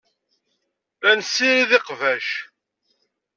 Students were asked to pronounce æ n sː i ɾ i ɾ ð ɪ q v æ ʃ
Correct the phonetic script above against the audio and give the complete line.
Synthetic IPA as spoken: æ n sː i ɾ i ð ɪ q v æ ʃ